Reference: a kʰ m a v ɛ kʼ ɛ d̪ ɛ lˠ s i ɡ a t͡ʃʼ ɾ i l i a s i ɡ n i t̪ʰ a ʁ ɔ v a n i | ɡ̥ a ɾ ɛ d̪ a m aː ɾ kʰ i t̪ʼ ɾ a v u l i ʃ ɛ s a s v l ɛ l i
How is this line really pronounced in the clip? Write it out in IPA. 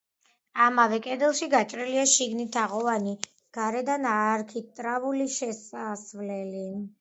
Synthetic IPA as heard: a m a v ɛ kʼ ɛ d̪ ɛ lˠ ʃ i ɡ a t͡ʃʼ ɾ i l i a ʃ i ɡ n i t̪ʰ a ʁ ɔ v a n i | ɡ̥ a ɾ ɛ d̪ a n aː ɾ kʰ i t̪ʼ ɾ a v u l i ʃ ɛ s a s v l ɛ l i